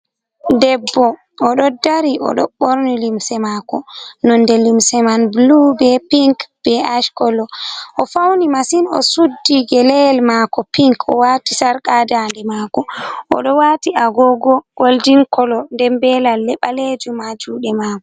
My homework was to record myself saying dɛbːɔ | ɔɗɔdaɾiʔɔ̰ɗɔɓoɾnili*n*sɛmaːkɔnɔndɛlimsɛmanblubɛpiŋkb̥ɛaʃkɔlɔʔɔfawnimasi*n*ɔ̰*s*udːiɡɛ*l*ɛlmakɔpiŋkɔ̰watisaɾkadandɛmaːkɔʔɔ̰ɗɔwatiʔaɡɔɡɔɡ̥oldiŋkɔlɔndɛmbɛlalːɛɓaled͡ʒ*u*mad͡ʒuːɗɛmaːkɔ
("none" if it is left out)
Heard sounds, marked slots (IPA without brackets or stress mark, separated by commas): m, n, s, l, u